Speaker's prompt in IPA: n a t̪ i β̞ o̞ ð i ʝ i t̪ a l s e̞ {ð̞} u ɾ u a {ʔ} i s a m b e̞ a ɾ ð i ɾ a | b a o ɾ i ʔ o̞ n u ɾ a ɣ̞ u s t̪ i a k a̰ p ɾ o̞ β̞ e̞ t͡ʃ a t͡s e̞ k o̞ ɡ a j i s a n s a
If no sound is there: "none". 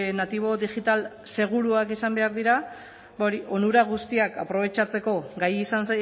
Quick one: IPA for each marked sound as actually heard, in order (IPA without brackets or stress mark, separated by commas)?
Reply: ɣ̞, k